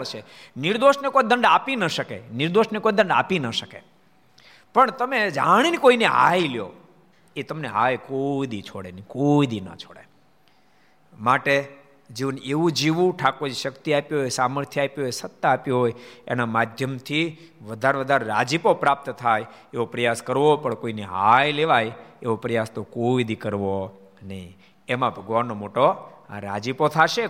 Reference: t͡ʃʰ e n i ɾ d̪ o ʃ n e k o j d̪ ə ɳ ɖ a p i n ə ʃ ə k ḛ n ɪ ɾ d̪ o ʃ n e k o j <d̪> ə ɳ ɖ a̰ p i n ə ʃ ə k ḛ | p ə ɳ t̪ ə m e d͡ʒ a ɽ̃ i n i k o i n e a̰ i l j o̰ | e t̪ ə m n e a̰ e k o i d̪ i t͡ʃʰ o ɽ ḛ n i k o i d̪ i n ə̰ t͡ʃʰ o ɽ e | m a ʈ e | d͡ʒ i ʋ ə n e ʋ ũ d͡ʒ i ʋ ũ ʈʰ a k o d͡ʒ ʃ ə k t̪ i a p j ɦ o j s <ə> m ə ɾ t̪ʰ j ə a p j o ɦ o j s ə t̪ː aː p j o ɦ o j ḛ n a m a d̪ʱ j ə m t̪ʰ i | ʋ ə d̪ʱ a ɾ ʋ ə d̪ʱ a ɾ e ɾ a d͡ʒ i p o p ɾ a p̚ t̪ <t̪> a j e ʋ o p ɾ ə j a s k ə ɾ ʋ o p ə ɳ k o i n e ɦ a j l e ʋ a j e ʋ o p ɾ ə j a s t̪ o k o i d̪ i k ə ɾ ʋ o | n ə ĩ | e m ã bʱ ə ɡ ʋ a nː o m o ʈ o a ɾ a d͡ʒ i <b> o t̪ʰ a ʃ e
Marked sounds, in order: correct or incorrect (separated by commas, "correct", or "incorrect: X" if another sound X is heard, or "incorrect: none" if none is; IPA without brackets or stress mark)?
correct, incorrect: a, incorrect: t̪ʰ, incorrect: p